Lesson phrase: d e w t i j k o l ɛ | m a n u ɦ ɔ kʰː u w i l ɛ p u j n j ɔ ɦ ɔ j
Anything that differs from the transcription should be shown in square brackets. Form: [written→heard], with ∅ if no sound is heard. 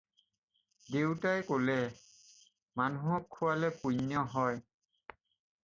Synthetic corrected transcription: d e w t [i→a] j k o l ɛ | m a n u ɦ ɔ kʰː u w [i→a] l ɛ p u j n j ɔ ɦ ɔ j